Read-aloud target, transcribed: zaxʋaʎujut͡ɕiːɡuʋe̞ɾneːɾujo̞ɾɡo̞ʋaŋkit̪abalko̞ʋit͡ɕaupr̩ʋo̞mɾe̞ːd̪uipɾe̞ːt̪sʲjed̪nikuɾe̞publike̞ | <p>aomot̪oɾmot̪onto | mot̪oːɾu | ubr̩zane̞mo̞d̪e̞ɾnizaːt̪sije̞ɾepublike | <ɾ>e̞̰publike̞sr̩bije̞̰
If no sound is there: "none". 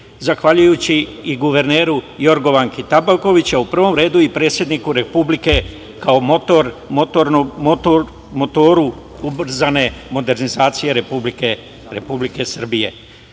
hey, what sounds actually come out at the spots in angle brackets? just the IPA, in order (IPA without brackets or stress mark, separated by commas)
k, ɾ